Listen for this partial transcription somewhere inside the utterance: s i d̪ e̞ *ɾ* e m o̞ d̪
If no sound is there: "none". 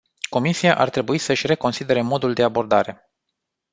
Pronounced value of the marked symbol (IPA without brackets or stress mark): ɾ